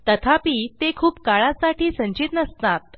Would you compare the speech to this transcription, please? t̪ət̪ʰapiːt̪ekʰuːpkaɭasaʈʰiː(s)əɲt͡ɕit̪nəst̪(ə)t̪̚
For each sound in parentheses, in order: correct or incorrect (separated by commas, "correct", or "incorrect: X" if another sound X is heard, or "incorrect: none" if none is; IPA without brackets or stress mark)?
correct, incorrect: a